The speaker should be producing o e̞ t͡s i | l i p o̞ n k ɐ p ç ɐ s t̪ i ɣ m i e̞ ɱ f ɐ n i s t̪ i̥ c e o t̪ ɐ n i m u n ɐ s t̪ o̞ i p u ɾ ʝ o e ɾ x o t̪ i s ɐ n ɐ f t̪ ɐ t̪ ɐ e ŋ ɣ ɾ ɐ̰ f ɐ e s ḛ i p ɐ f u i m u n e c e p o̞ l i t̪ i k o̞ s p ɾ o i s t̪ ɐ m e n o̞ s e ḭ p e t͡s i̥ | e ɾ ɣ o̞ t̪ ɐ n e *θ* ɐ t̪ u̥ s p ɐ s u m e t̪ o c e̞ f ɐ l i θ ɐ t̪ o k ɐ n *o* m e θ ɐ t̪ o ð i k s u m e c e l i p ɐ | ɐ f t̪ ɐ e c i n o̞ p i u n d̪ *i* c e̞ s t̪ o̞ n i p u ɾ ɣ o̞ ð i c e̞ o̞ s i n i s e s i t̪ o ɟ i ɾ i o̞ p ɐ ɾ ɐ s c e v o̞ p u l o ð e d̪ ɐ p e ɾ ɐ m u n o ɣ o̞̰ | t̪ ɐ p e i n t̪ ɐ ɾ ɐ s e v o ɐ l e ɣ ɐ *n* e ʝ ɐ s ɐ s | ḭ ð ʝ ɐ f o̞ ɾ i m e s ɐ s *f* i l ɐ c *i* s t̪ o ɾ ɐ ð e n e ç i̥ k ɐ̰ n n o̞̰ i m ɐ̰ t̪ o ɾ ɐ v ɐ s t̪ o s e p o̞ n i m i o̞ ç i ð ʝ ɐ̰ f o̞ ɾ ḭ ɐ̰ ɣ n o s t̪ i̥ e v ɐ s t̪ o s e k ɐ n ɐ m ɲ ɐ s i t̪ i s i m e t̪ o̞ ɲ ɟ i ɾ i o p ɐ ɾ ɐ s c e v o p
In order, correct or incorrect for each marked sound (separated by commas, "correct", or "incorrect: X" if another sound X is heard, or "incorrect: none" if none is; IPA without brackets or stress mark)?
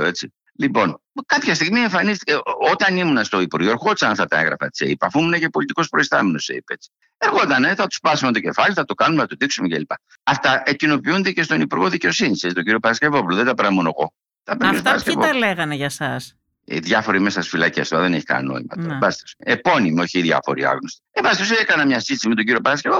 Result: correct, incorrect: u, incorrect: e, correct, correct, incorrect: e